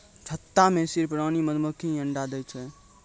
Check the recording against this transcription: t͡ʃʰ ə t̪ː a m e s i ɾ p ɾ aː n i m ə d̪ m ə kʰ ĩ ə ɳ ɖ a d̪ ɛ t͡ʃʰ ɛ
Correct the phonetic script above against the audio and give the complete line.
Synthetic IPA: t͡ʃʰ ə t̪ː a m e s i ɾ p ɾ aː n i m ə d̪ m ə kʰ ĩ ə ɳ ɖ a d̪ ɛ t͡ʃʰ ɛ